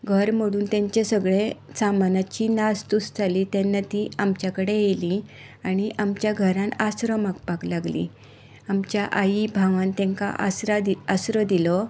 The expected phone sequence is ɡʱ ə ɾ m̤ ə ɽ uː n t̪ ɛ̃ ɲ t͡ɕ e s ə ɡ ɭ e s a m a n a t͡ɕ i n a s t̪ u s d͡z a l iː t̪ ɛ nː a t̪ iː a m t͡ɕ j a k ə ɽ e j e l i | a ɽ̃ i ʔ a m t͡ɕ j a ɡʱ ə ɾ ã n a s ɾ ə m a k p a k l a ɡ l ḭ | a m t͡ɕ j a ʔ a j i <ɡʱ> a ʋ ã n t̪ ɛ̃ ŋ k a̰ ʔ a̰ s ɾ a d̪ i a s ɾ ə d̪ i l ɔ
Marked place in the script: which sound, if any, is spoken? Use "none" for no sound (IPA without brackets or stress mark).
bʱ